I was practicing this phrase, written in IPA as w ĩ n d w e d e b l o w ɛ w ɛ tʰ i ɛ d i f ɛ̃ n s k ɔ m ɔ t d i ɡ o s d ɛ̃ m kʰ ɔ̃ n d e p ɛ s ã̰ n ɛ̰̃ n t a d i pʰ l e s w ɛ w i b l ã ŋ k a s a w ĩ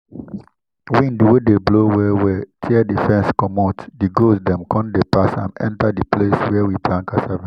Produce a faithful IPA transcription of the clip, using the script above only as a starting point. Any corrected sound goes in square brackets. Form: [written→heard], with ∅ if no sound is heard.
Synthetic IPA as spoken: w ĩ n d w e d e b l o w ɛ w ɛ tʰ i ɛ d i f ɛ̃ n s k ɔ m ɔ t d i ɡ o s d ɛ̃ m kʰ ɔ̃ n d e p [ɛ→a] s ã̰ n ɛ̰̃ n t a d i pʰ l e s w ɛ w i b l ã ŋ k a s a [w→v] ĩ